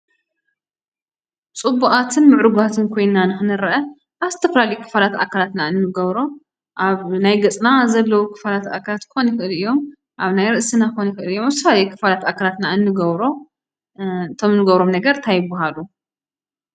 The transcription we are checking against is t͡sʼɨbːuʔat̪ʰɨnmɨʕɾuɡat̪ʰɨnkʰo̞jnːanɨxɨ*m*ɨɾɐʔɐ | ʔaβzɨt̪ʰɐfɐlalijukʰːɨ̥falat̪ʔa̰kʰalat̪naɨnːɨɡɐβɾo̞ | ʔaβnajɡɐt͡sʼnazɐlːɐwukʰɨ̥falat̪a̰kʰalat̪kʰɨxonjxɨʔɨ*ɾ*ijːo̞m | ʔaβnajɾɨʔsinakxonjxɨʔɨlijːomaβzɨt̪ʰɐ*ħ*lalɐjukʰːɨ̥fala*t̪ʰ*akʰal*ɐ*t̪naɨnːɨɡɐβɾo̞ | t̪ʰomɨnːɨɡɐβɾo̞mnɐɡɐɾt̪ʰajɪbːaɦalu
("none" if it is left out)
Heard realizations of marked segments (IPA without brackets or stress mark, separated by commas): n, l, f, t̪, a